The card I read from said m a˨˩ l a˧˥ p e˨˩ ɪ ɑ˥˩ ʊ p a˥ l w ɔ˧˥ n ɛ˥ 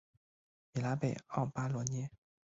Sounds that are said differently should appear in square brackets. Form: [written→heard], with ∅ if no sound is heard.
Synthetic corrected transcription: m [a˨˩→i˨˩] l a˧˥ p e˨˩ ɪ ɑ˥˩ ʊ p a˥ l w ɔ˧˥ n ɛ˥